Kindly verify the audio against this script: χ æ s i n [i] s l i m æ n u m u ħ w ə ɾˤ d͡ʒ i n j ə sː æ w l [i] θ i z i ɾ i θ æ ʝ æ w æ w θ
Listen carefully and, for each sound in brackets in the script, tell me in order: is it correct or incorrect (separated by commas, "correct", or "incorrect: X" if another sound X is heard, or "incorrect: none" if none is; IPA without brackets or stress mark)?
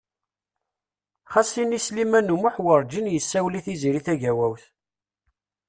correct, correct